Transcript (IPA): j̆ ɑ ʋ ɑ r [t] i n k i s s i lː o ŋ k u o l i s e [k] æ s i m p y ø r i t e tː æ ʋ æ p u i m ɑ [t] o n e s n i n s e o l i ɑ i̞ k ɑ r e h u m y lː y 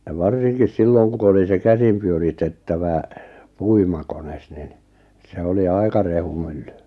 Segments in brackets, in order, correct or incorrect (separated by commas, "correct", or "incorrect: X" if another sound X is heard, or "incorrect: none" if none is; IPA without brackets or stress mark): incorrect: s, correct, incorrect: k